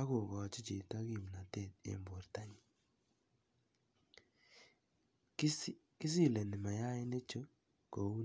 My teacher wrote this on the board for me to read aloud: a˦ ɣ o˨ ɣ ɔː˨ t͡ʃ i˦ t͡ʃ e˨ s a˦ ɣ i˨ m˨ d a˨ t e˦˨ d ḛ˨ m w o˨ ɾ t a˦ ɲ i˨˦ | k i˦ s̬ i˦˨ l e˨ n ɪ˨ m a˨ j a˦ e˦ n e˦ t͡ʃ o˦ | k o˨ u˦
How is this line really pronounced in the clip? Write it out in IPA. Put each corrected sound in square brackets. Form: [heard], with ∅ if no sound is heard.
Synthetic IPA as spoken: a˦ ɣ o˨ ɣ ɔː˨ t͡ʃ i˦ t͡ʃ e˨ [t] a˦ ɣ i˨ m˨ [n] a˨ t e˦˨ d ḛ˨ m [b] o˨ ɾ t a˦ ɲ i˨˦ | k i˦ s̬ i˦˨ l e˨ n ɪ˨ m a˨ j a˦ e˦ n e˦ t͡ʃ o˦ | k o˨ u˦

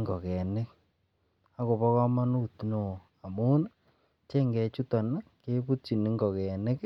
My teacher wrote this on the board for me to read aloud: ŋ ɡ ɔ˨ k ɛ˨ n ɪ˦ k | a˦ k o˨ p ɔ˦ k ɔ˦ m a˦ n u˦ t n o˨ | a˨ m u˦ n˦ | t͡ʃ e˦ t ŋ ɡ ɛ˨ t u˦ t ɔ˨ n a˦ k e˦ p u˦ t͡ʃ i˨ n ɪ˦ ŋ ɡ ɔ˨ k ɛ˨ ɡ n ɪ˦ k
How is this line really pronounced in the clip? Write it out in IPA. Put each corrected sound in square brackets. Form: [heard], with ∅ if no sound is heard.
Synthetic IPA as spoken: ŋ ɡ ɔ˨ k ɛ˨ n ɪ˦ k | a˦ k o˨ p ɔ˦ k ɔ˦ m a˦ n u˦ t n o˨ | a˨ m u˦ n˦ | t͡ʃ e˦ [∅] ŋ ɡ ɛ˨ [t͡ʃ] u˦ t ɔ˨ n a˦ k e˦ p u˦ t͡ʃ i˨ n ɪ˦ ŋ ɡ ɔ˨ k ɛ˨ [∅] n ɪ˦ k

